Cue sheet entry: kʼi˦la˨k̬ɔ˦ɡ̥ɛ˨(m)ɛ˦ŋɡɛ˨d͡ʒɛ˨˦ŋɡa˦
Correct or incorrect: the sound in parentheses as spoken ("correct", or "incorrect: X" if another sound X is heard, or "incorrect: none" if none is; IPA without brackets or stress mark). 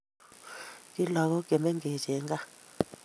correct